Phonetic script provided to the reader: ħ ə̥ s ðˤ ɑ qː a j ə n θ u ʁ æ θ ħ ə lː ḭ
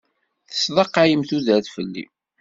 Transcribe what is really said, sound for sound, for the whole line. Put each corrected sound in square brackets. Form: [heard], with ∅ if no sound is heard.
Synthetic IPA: [θ] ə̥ s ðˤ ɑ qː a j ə [m] θ u [ð] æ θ [f] ə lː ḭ